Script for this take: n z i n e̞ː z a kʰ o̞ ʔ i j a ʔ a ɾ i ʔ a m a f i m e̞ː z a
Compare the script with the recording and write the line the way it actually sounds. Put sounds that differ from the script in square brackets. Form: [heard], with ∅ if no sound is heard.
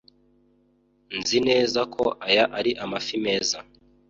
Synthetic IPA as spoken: n z i n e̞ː z a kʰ o̞ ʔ [a] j a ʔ a ɾ i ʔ a m a f i m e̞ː z a